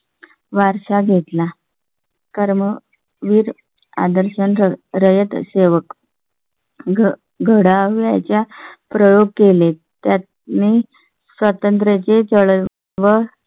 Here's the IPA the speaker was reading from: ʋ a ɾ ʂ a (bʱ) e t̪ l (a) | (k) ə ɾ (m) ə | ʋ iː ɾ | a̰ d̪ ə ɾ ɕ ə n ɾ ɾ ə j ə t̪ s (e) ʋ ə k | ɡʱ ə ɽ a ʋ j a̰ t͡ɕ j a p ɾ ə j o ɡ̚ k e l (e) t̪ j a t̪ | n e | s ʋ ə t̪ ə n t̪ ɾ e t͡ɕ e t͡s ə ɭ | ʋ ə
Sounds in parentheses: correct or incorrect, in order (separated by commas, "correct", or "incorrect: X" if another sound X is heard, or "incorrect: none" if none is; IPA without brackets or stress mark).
incorrect: ɡʱ, correct, correct, correct, correct, correct